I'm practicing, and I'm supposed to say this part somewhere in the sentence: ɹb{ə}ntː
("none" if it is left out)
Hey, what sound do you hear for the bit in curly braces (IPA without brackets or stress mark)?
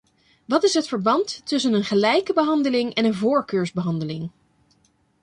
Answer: ɑ